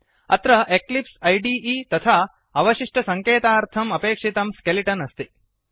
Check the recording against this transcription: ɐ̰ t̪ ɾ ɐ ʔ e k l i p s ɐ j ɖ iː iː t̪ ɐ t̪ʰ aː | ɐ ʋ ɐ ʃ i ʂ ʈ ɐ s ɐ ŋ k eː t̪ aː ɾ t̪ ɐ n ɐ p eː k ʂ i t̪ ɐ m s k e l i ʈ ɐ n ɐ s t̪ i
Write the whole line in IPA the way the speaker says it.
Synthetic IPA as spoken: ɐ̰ t̪ ɾ ɐ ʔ e k l i p s ɐ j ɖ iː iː t̪ ɐ t̪ʰ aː | ɐ ʋ ɐ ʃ i ʂ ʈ ɐ s ɐ ŋ k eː t̪ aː ɾ t̪ʰ ɐ m ɐ p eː k ʂ i t̪ ɐ m s k e l i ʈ ɐ n ɐ s t̪ i